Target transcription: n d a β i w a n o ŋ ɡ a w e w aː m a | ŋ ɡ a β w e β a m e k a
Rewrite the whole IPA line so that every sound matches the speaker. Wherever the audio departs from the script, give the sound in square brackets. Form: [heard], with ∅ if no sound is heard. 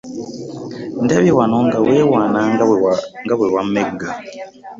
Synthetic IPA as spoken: n d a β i w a n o ŋ ɡ a w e w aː [n] a | ŋ ɡ a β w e [w] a m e [ɡ] a